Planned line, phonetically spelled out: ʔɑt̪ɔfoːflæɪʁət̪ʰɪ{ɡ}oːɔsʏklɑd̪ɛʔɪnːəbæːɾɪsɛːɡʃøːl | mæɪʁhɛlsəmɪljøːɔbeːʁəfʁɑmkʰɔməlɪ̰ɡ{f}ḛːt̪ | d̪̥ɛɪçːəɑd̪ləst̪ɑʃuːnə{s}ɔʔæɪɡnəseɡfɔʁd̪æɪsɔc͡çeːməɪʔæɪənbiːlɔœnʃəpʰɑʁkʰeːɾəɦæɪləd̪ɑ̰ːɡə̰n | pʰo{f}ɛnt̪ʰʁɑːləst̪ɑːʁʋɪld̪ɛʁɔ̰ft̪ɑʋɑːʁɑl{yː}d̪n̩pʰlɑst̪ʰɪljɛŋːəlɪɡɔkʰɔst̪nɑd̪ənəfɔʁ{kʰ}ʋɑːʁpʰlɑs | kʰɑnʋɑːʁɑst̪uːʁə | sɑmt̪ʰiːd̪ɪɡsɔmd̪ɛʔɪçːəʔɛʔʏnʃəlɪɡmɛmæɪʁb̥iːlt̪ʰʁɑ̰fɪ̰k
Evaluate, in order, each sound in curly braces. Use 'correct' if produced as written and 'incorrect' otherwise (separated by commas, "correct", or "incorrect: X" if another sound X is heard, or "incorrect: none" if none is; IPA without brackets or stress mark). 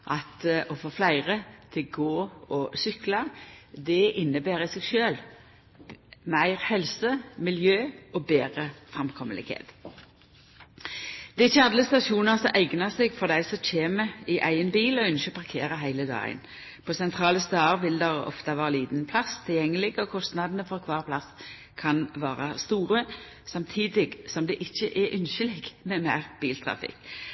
correct, incorrect: h, correct, incorrect: s, incorrect: iː, correct